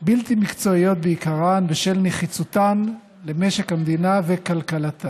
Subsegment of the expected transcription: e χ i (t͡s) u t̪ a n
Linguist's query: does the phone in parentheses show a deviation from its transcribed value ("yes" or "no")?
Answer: no